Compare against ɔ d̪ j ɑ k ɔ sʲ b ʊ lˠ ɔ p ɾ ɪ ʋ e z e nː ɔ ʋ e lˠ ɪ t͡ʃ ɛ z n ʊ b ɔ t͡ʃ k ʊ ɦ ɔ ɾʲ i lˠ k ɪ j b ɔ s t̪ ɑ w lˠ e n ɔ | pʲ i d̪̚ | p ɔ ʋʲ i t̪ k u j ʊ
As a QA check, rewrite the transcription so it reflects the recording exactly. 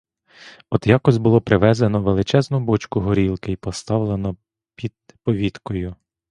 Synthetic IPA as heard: ɔ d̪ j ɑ k ɔ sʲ b ʊ lˠ ɔ p ɾ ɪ ʋ ɛ z e n ɔ ʋ e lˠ ɪ t͡ʃ ɛ z n ʊ b ɔ t͡ʃ k ʊ ɦ ɔ ɾʲ i lˠ k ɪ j p ɔ s t̪ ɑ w lˠ e n ɔ | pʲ i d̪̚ | p ɔ ʋʲ i t̪ k ɔ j ʊ